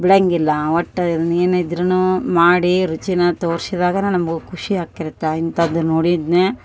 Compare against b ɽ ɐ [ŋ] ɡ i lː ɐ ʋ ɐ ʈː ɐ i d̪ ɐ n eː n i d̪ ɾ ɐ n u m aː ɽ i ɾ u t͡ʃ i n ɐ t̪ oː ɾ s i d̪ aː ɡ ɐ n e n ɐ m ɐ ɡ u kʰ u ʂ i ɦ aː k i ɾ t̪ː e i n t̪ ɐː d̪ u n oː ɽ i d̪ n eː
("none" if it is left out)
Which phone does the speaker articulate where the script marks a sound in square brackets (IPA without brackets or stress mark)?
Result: ŋ